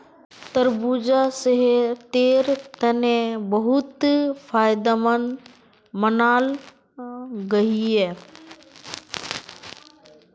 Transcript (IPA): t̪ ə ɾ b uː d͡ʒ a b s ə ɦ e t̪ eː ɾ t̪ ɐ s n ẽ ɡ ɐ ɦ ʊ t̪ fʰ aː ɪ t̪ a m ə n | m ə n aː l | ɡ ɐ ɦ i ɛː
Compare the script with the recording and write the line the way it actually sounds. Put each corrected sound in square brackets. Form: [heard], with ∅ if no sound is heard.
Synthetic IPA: t̪ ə ɾ b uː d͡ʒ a [∅] s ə ɦ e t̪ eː ɾ t̪ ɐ [∅] n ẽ [b] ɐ ɦ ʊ t̪ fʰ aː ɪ [d̪] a m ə n | m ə n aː l | ɡ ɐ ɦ i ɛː

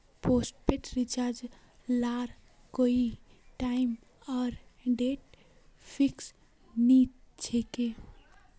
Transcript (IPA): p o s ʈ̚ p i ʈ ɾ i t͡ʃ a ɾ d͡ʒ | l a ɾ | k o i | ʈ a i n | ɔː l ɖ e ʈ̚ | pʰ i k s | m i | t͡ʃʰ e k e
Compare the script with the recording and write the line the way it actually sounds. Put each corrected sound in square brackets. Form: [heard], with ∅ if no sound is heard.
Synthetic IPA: p o s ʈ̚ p [e] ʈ ɾ i t͡ʃ a ɾ d͡ʒ | l a ɾ | k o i | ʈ a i [m] | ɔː [ɾ] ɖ e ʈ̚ | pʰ i k s | [n] i | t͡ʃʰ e k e

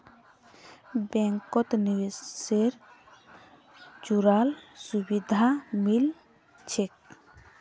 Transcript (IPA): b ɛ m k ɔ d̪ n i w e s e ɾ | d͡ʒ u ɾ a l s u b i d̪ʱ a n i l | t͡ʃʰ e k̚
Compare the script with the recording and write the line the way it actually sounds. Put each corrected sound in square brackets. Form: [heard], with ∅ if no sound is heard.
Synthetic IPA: b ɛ [ŋ] k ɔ [t̪] n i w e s e ɾ | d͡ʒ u ɾ a l s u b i d̪ʱ a [m] i l | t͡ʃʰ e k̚

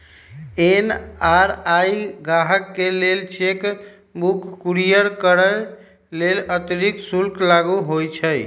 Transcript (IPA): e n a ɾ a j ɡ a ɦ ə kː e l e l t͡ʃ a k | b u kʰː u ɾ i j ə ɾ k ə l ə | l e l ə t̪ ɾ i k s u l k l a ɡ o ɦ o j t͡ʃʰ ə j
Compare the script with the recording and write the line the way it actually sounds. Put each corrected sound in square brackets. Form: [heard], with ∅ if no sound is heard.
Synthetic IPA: e n a ɾ a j ɡ a ɦ ə kː e l e l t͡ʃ [e] k | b u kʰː u ɾ i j ə ɾ k ə [ɾ] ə | l e l ə t̪ ɾ i k s u l k l a ɡ [u] ɦ o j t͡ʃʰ ə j

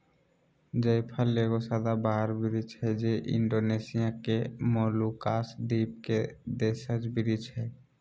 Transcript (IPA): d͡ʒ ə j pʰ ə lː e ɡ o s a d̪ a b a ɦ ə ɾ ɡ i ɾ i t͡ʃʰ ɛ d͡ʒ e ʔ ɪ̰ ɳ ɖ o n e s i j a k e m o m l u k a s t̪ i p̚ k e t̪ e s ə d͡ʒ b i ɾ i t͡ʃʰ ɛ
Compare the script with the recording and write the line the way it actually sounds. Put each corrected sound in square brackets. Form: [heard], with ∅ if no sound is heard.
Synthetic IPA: d͡ʒ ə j pʰ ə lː e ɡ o s a d̪ a b a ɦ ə ɾ [b] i ɾ i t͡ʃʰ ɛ d͡ʒ e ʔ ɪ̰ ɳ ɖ o n e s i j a k e m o [∅] l u k a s [d̪] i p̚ k e [d̪] e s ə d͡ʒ b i ɾ i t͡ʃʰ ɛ

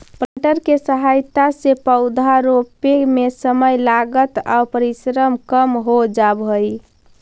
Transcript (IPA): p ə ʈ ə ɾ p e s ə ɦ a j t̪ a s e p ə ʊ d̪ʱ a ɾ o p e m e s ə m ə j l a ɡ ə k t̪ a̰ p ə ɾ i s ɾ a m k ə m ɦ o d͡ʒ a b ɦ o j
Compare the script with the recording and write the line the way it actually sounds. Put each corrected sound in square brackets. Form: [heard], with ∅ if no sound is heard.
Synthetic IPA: p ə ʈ ə ɾ [k] e s ə ɦ a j t̪ a s e p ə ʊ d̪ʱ a ɾ o p e m e s ə m ə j l a ɡ ə [∅] t̪ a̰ p ə ɾ i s ɾ [ə] m k ə m ɦ o d͡ʒ a b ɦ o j

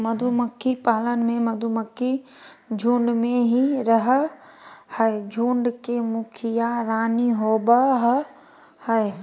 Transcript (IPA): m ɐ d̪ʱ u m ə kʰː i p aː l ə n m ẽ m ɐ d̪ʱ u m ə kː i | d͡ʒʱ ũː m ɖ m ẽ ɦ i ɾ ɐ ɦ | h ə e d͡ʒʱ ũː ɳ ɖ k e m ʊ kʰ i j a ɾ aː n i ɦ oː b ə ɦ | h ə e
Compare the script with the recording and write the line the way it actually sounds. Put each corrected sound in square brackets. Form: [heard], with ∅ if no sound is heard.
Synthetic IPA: m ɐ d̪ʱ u m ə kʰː i p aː l ə n m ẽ m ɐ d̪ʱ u m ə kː i | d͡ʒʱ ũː [ɳ] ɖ m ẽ ɦ i ɾ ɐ ɦ | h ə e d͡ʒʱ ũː ɳ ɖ k e m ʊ kʰ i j a ɾ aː n i ɦ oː b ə ɦ | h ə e

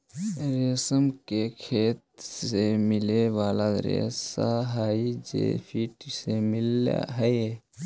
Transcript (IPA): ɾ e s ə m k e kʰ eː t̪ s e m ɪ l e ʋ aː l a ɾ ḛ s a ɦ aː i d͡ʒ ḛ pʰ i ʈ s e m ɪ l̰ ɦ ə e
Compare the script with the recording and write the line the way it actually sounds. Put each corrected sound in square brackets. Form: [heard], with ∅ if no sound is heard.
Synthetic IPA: ɾ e s ə m k e kʰ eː t̪ s e m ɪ l e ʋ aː l a ɾ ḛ s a ɦ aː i d͡ʒ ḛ pʰ i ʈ s e m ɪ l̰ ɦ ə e

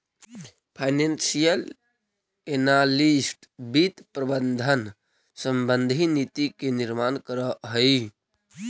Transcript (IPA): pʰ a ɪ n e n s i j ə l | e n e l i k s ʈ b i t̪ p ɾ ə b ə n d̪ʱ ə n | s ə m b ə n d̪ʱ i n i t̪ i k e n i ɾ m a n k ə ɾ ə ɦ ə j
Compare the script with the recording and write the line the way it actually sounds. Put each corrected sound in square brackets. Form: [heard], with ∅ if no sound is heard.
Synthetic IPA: pʰ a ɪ n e n s i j ə l | e n [a] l i [∅] s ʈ b i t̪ p ɾ ə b ə n d̪ʱ ə n | s ə m b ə n d̪ʱ i n i t̪ i k e n i ɾ m a n k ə ɾ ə ɦ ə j

